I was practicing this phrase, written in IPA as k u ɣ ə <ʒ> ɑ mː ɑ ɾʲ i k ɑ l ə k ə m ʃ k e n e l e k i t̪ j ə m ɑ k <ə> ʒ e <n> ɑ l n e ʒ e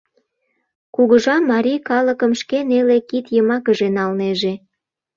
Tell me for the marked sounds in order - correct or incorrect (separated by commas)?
correct, correct, correct